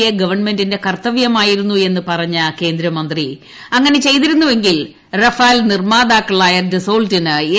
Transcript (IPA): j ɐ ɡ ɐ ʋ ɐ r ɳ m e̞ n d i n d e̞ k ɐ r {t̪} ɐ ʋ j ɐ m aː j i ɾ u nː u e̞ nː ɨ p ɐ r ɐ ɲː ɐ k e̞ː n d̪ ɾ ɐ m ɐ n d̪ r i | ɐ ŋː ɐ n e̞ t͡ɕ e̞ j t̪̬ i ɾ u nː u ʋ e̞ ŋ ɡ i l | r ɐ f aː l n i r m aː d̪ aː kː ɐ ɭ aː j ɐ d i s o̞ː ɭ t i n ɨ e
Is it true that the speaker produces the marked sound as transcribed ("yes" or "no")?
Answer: yes